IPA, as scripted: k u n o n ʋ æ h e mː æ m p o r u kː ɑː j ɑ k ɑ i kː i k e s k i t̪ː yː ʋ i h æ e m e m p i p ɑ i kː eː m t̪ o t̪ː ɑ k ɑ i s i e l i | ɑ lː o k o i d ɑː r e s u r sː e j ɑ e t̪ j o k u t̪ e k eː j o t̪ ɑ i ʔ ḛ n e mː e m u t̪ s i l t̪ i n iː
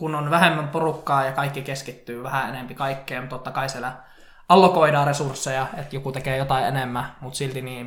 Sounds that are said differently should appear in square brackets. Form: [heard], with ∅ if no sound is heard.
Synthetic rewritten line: k u n o n ʋ æ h e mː æ m p o r u kː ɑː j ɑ k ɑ i kː i k e s k i t̪ː yː ʋ [æ] h æ e [n] e m p i [k] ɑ i kː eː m t̪ o t̪ː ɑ k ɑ i s i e l [æ] | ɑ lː o k o i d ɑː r e s u r sː e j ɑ e t̪ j o k u t̪ e k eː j o t̪ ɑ i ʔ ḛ n e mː [æ] m u t̪ s i l t̪ i n iː